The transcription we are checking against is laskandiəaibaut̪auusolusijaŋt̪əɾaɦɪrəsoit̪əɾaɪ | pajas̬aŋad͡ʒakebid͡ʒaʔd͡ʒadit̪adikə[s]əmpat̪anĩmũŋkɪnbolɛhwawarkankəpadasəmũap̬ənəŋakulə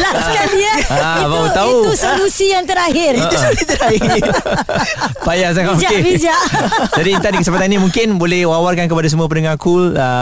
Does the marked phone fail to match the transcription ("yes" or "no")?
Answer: no